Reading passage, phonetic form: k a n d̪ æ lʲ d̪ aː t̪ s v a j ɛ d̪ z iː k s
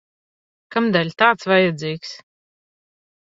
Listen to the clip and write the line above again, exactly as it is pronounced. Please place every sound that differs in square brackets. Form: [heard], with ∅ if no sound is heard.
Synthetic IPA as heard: k a [m] d̪ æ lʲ [t̪] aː t̪ s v a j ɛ d̪ z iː k s